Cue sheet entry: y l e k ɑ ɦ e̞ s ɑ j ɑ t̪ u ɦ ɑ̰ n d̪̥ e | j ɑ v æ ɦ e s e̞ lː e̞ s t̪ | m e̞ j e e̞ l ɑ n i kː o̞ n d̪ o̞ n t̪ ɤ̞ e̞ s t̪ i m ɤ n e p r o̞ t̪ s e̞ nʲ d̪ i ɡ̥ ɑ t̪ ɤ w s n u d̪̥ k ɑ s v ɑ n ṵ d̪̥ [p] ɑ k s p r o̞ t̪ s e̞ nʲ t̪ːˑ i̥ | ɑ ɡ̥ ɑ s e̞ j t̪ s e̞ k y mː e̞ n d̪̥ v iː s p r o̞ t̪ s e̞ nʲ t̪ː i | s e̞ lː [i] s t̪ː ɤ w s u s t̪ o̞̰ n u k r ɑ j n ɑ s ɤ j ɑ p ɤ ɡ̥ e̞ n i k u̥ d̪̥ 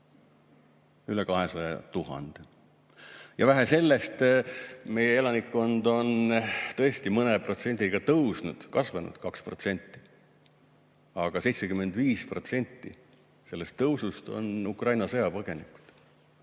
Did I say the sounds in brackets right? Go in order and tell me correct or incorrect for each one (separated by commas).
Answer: incorrect, incorrect